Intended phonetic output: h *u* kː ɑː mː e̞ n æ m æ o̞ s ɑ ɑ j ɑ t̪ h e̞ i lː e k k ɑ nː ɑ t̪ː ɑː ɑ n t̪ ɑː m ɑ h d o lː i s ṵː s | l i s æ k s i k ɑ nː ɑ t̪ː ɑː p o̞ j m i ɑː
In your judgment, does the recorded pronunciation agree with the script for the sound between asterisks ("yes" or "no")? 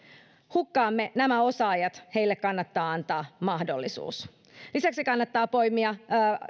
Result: yes